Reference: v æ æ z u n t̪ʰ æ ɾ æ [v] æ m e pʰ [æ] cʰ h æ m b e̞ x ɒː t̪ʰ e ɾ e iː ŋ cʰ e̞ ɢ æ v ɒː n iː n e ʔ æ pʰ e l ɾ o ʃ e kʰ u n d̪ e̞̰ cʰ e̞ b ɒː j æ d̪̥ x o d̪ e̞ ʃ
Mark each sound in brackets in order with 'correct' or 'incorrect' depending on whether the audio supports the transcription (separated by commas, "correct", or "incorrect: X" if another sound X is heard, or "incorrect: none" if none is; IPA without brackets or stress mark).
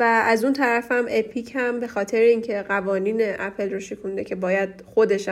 incorrect: f, incorrect: i